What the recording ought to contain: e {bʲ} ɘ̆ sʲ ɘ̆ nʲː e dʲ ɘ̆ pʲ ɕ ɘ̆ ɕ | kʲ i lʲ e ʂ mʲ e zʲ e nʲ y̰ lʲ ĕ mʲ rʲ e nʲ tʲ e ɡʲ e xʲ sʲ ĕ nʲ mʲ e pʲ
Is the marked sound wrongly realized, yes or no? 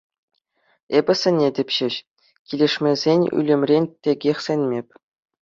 no